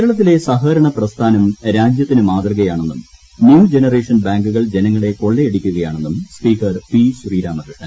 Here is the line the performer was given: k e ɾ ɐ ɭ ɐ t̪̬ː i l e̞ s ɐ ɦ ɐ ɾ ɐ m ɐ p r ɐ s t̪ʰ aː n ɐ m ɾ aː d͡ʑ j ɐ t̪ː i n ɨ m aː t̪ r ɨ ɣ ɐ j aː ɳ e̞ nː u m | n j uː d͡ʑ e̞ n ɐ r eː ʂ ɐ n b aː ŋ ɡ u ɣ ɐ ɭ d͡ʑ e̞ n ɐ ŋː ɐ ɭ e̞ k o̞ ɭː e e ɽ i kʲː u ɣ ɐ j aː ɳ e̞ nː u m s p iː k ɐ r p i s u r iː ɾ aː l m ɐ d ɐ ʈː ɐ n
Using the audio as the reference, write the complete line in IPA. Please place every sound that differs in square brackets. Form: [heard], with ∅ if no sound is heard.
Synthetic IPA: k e ɾ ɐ ɭ ɐ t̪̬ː i l e̞ s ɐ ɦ ɐ ɾ ɐ [ɳ] ɐ p r ɐ s t̪ʰ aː n ɐ m ɾ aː d͡ʑ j ɐ t̪ː i n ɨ m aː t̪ r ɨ ɣ ɐ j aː ɳ e̞ nː u m | n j uː d͡ʑ e̞ n ɐ r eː ʂ ɐ n b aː ŋ ɡ u ɣ ɐ ɭ d͡ʑ e̞ n ɐ ŋː ɐ ɭ e̞ k o̞ ɭː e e ɽ i kʲː u ɣ ɐ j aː ɳ e̞ nː u m s p iː k ɐ r p i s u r iː ɾ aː [∅] m ɐ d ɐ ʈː ɐ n